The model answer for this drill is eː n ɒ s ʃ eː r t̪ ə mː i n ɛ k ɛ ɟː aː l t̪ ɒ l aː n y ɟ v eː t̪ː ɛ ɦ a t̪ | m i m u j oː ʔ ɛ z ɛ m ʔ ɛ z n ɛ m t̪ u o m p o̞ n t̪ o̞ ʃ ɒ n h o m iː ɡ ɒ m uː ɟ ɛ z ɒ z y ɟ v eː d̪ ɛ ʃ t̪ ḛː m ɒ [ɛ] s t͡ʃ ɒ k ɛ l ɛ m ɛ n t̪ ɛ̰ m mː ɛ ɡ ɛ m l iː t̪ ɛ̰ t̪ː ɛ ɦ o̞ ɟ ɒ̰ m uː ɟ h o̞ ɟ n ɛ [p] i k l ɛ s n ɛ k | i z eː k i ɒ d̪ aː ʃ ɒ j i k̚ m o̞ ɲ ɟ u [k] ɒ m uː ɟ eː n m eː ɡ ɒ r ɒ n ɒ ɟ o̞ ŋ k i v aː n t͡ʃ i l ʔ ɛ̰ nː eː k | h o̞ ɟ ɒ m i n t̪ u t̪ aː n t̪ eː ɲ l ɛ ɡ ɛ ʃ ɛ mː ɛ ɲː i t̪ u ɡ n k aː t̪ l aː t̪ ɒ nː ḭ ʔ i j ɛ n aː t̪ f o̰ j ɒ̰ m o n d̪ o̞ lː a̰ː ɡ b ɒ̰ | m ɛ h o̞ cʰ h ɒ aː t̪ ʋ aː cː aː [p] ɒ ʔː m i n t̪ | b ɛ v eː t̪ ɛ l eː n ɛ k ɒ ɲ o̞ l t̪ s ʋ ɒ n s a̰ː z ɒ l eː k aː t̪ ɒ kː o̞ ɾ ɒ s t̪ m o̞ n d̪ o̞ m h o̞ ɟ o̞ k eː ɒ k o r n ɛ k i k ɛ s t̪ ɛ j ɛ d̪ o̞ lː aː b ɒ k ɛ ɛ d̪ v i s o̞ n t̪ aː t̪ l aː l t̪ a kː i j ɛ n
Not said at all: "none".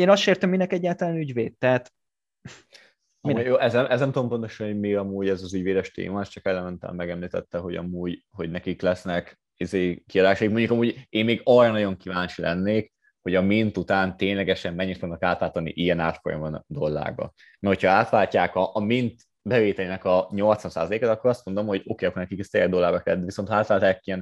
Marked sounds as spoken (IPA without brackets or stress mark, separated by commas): ɛ, k, k, k